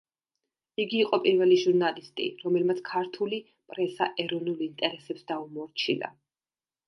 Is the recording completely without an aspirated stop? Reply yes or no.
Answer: no